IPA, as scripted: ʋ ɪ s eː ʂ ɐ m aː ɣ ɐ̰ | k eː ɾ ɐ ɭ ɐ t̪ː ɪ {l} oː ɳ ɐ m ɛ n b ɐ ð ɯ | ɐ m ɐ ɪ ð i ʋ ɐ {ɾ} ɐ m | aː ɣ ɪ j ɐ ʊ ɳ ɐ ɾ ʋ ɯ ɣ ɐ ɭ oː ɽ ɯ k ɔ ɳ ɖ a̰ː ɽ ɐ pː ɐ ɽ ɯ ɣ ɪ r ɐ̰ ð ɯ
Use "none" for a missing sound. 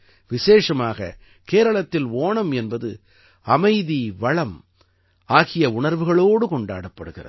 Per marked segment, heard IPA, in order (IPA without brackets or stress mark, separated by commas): l, ɭ